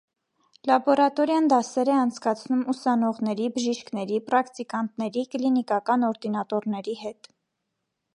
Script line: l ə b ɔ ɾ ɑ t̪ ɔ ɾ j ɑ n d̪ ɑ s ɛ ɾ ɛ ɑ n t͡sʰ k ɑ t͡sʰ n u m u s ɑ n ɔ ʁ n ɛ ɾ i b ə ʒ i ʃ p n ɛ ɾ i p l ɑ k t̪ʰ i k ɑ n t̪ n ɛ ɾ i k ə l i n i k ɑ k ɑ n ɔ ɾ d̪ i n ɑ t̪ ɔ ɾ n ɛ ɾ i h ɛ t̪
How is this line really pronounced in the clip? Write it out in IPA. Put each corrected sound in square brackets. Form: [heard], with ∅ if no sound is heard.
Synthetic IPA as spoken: l [ɑ] b ɔ ɾ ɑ t̪ ɔ ɾ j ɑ n d̪ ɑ s ɛ ɾ ɛ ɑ n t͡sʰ k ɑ t͡sʰ n u m u s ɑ n ɔ ʁ n ɛ ɾ i b ə ʒ i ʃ [k] n ɛ ɾ i p [ɾ] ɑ k [t̪] i k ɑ n t̪ n ɛ ɾ i k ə l i n i k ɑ k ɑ n ɔ ɾ d̪ i n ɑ t̪ ɔ ɾ n ɛ ɾ i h ɛ t̪